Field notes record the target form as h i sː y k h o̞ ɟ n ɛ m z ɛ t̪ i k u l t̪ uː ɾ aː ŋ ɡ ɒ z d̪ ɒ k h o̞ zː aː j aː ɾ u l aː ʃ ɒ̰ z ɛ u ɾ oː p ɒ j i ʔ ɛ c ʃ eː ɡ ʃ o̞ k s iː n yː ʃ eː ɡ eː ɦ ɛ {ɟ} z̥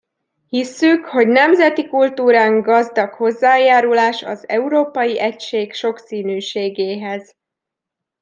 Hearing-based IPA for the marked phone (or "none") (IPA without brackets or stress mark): none